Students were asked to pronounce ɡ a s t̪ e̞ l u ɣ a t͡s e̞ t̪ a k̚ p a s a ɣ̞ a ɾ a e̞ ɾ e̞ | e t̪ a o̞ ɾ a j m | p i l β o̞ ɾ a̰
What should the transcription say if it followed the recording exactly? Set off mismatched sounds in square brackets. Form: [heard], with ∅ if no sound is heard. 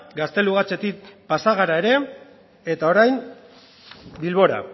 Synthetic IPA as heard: ɡ a s t̪ e̞ l u ɣ a t͡s e̞ t̪ [i] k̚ p a s a ɣ̞ a ɾ a e̞ ɾ e̞ | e t̪ a o̞ ɾ a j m | [b] i l β o̞ ɾ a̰

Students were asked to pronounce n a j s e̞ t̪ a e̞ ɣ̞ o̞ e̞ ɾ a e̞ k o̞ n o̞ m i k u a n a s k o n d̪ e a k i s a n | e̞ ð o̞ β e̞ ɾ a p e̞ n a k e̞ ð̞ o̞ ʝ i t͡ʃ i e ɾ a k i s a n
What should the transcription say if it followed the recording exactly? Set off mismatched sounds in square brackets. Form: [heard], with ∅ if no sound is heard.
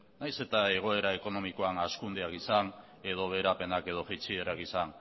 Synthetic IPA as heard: n a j s e̞ t̪ a e̞ ɣ̞ o̞ e̞ ɾ a e̞ k o̞ n o̞ m i k [o] a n a s k [u] n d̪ e a k i s a n | e̞ ð o̞ β e̞ ɾ a p e̞ n a k e̞ ð̞ o̞ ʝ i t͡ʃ i e ɾ a k i s a n

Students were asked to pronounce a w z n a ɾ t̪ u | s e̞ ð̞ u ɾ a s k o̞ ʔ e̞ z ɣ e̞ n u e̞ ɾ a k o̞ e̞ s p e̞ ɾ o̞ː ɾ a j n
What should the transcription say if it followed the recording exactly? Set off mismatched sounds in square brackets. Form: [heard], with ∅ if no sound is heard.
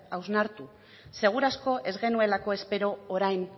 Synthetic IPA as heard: a w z n a ɾ t̪ u | s e̞ [ɣ̞] u ɾ a s k o̞ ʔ e̞ z ɣ e̞ n u e̞ [l] a k o̞ e̞ s p e̞ ɾ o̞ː ɾ a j n

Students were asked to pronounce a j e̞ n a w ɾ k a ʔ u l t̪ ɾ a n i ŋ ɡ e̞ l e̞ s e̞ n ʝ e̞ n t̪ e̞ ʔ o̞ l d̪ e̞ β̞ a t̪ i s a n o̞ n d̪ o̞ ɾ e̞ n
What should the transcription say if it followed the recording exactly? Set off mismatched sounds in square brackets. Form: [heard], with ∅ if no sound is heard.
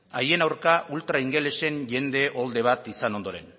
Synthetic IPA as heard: a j e̞ n a w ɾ k a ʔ u l t̪ ɾ a [∅] i ŋ ɡ e̞ l e̞ s e̞ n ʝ e̞ n [d̪] e̞ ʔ o̞ l d̪ e̞ β̞ a t̪ i s a n o̞ n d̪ o̞ ɾ e̞ n

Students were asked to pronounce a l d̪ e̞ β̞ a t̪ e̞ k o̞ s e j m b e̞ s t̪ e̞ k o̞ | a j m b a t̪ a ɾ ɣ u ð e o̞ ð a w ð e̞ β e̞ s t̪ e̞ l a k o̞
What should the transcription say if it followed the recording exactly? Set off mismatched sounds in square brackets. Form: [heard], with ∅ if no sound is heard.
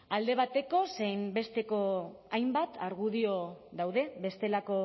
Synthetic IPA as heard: a l d̪ e̞ β̞ a t̪ e̞ k o̞ s e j m b e̞ s t̪ e̞ k o̞ | a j m b a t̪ a ɾ ɣ u ð [i] o̞ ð a w ð e̞ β e̞ s t̪ e̞ l a k o̞

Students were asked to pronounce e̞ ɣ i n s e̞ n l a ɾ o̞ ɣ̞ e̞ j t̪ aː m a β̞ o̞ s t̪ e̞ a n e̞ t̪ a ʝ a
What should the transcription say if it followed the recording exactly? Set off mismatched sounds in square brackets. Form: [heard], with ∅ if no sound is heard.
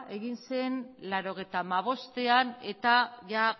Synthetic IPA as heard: e̞ ɣ i n s e̞ n l a ɾ o̞ ɣ̞ e̞ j t̪ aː m a β̞ o̞ s t̪ e̞ a n e̞ t̪ a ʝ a

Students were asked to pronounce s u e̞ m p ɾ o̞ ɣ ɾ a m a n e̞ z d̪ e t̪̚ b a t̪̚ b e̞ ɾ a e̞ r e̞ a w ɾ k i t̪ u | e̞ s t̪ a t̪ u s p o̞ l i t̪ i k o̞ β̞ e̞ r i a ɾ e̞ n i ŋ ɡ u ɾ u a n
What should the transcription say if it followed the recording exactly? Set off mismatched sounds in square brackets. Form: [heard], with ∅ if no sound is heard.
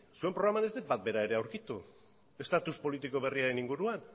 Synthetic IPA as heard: s u e̞ m p ɾ o̞ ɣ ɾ a m a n e̞ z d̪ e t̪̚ b a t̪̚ b e̞ ɾ a e̞ [ɾ] e̞ a w ɾ k i t̪ u | e̞ s t̪ a t̪ u s p o̞ l i t̪ i k o̞ β̞ e̞ r i a ɾ e̞ n i ŋ ɡ u ɾ u a n

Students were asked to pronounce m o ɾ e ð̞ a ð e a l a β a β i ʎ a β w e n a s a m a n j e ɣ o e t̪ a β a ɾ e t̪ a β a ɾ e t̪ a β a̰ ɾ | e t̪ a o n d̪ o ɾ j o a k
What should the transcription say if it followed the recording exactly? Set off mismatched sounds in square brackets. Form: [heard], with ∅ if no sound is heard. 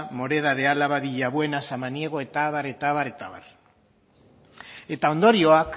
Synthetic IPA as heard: m o ɾ e ð̞ a ð e a l a β a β i ʎ a β w e n a s a m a n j e ɣ o e t̪ a β a ɾ e t̪ a β a ɾ e t̪ a β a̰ ɾ | e t̪ a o n d̪ o ɾ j o a k

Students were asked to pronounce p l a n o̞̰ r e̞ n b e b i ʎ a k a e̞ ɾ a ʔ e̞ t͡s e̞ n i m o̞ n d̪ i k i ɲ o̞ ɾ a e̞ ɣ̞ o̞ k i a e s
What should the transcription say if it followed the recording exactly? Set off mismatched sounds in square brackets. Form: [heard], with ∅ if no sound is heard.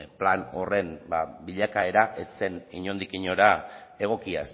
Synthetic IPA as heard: p l a n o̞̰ r e̞ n b [a] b i ʎ a k a e̞ ɾ a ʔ e̞ t͡s e̞ n i [ɲ] o̞ n d̪ i k i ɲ o̞ ɾ a e̞ ɣ̞ o̞ k i a e s

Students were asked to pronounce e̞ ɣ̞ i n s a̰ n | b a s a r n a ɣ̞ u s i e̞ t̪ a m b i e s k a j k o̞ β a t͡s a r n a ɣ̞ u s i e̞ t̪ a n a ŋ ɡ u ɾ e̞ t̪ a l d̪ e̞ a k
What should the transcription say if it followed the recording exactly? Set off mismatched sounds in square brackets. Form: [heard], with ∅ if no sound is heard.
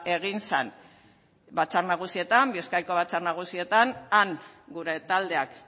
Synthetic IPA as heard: e̞ ɣ̞ i n s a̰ n | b a [t͡s] a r n a ɣ̞ u s i e̞ t̪ a m b i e s k a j k o̞ β a t͡s a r n a ɣ̞ u s i e̞ t̪ a n a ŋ ɡ u ɾ e̞ t̪ a l d̪ e̞ a k

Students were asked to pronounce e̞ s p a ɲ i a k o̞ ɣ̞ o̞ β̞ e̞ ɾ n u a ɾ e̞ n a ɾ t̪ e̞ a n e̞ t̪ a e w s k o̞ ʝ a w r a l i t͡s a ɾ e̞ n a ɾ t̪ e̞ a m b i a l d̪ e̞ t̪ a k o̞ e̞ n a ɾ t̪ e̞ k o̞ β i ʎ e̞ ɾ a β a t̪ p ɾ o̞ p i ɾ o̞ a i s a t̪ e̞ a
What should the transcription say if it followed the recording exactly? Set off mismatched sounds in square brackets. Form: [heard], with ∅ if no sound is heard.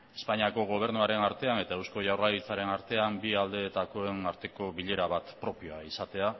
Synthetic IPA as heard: e̞ s p a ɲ i a k o̞ ɣ̞ o̞ β̞ e̞ ɾ n u a ɾ e̞ n a ɾ t̪ e̞ a n e̞ t̪ a e w s k o̞ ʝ a w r a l i t͡s a ɾ e̞ n a ɾ t̪ e̞ a m b i a l d̪ e̞ t̪ a k o̞ e̞ n a ɾ t̪ e̞ k o̞ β i ʎ e̞ ɾ a β a t̪ p ɾ o̞ p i [∅] o̞ a i s a t̪ e̞ a

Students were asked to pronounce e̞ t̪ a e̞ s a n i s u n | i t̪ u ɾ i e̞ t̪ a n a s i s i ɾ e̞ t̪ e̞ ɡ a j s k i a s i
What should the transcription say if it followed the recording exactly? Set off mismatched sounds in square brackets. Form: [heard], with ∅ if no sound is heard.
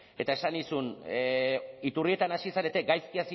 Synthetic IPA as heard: e̞ t̪ a e̞ s a n i s u n | i t̪ u [r] i e̞ t̪ a n a s i s [a] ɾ e̞ t̪ e̞ ɡ a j s k i a s i

